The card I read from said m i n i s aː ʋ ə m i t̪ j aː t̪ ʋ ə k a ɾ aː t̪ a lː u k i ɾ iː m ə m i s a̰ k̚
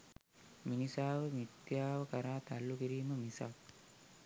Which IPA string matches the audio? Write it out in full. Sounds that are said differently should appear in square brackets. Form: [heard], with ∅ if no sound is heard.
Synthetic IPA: m i n i s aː ʋ ə m i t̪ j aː [∅] ʋ ə k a ɾ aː t̪ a lː u k i ɾ iː m ə m i s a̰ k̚

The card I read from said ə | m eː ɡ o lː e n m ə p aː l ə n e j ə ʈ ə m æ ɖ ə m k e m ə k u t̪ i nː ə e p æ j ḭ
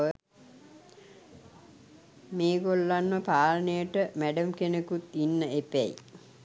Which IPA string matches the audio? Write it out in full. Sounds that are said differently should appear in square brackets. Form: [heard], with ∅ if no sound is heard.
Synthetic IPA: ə | m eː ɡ o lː [a] n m ə p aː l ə n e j ə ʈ ə m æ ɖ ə m k e [n] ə k u t̪ i nː ə e p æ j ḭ

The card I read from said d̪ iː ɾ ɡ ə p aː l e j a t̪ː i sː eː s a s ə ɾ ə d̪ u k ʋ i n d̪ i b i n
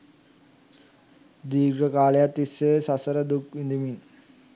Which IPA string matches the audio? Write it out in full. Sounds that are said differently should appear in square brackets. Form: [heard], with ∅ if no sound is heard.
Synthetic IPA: d̪ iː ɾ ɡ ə [k] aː l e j a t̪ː i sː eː s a s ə ɾ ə d̪ u k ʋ i n d̪ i [m] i n

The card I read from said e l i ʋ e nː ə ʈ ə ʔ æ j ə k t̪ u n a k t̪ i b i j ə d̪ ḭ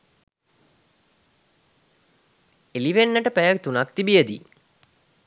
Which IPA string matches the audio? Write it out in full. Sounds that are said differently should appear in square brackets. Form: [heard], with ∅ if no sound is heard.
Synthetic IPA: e l i ʋ e nː ə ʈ ə [p] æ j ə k t̪ u n a k t̪ i b i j ə d̪ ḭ

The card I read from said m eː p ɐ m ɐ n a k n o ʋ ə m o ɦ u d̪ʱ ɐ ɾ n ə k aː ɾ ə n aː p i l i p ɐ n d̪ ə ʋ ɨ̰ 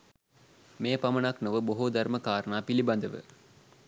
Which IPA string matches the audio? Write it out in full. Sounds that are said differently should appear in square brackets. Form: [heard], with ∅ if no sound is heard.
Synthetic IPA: m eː p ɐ m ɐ n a k n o ʋ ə [b] o ɦ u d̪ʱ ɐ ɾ [m] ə k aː ɾ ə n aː p i l i [b] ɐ n d̪ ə ʋ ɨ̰

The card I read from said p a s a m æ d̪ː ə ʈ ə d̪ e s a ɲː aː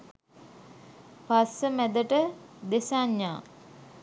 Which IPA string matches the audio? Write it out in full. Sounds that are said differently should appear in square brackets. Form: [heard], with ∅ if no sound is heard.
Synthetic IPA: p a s [ə] m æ [d̪] ə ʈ ə d̪ e s a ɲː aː

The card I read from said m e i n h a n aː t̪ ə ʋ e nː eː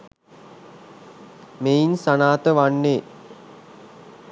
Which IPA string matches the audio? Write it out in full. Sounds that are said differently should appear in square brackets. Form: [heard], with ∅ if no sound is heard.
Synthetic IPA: m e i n [s] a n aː t̪ ə ʋ [a] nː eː

